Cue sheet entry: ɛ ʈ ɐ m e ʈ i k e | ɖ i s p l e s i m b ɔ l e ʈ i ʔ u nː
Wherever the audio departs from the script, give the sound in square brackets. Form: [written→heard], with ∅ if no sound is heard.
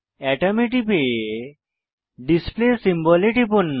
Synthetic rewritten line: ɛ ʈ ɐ m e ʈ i [k→p] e | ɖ i s p l e s i m b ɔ l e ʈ i [ʔ→p] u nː